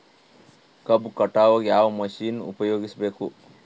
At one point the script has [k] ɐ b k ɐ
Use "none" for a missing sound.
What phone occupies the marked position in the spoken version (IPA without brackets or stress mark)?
k